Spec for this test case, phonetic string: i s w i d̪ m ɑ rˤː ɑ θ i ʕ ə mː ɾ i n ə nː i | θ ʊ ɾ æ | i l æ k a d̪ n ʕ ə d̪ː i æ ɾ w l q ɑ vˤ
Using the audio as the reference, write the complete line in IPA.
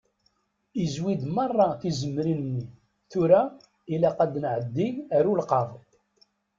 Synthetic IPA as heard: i z w i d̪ m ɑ rˤː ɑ θ i z ə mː ɾ i n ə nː i | θ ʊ ɾ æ | i l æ q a d̪ n ʕ ə d̪ː i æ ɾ u l q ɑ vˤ